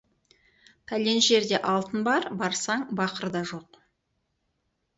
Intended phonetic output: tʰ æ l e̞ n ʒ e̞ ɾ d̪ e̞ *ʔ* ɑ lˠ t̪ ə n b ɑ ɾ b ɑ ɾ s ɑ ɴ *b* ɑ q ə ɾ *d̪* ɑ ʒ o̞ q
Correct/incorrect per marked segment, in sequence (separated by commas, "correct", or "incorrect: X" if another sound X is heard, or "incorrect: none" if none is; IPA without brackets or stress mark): correct, correct, correct